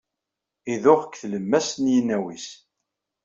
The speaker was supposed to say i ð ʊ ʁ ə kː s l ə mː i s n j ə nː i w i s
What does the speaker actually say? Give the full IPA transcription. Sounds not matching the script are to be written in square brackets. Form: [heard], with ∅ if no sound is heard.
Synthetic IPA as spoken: i ð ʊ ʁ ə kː [θ] l ə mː [æ] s n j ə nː [æ] w i s